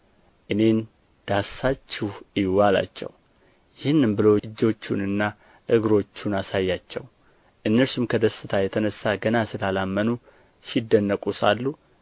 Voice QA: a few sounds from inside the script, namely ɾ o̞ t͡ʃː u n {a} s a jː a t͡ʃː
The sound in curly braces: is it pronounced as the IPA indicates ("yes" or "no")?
yes